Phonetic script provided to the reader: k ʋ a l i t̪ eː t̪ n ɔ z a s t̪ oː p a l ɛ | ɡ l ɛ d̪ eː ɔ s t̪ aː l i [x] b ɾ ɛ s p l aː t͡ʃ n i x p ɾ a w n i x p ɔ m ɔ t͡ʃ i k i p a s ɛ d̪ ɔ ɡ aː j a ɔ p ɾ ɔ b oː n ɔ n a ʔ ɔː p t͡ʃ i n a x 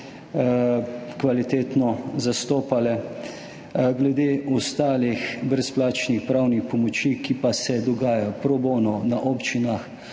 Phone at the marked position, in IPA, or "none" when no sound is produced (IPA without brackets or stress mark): x